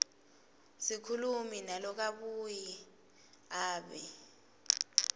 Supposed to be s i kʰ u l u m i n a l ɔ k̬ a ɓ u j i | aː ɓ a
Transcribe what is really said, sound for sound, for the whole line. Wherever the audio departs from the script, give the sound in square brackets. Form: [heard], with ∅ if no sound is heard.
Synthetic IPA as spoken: s i kʰ u l u m i n a l ɔ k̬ a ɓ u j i | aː ɓ [ɛ]